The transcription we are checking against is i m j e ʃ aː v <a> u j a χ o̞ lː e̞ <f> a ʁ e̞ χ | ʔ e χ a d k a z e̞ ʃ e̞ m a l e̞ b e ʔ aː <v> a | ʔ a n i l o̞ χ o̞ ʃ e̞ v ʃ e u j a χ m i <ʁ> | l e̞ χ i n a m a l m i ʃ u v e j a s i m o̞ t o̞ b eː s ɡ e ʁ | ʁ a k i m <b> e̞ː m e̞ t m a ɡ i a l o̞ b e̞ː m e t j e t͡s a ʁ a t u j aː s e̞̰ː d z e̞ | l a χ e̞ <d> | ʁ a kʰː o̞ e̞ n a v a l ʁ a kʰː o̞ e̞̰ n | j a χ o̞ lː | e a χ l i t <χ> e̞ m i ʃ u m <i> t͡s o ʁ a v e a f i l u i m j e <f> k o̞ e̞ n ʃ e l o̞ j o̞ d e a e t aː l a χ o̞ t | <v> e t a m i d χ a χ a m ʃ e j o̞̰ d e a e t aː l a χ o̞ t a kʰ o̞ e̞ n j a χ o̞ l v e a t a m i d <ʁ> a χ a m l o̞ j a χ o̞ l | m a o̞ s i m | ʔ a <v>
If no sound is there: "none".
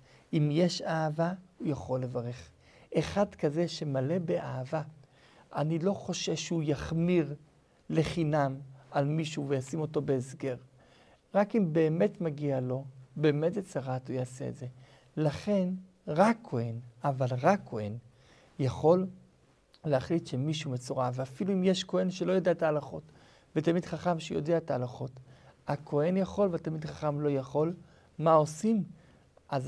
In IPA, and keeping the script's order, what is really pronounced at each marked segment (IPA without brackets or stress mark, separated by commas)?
a, v, v, ʁ, b, n, ʃ, e, ʃ, v, χ, z